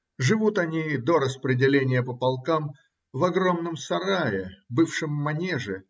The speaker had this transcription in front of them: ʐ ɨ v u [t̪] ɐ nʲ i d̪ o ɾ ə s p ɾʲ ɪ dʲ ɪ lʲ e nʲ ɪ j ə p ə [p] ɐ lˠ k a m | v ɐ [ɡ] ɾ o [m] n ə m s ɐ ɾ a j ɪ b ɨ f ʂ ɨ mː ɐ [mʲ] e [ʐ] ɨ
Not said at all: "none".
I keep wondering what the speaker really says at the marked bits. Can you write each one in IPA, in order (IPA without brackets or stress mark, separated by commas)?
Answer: t̪, p, ɡ, m, nʲ, ʐ